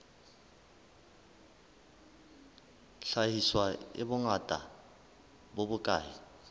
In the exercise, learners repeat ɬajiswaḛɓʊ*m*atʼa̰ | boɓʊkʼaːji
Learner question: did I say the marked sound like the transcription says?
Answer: no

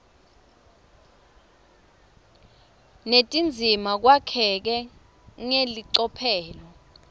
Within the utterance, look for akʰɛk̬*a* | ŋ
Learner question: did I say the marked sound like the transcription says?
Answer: no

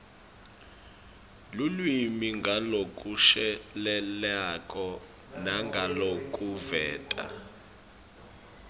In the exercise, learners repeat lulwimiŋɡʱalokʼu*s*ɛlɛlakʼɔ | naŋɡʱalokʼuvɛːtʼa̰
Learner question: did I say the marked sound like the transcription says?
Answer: no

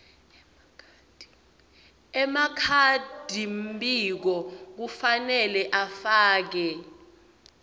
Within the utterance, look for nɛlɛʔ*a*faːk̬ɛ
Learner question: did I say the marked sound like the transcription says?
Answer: yes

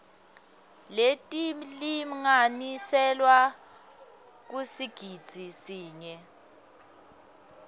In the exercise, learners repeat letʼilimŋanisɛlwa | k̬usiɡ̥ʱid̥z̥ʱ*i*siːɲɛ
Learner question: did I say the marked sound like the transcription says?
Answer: yes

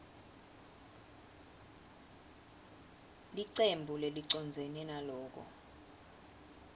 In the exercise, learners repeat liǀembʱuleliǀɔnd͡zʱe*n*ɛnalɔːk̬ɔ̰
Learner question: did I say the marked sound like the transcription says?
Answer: yes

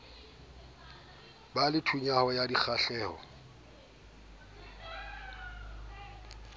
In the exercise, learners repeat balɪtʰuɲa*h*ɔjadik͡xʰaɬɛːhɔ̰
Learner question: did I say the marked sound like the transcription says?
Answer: yes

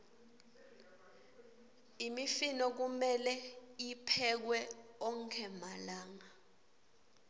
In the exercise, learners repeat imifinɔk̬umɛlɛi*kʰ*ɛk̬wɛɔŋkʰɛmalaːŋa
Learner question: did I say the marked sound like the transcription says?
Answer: no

